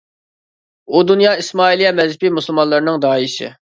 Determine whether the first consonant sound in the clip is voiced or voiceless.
voiced